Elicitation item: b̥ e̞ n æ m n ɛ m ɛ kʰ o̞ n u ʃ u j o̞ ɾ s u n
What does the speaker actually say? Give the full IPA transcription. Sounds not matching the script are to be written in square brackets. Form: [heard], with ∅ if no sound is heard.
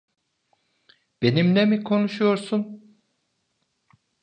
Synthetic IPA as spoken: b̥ e̞ n [i] m n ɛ m [i] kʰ o̞ n u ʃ u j o̞ ɾ s u n